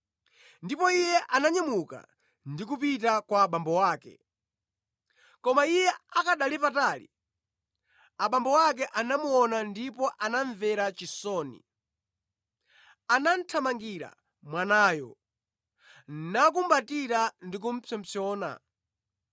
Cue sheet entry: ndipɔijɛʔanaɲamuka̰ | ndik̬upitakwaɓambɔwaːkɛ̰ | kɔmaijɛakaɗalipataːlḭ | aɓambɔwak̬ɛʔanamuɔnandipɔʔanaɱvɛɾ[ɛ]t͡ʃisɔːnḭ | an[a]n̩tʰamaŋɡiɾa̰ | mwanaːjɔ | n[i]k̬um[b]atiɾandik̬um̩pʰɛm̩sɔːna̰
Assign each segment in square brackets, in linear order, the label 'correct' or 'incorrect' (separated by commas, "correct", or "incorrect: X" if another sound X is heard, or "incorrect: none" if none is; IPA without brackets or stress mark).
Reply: incorrect: a, correct, incorrect: a, correct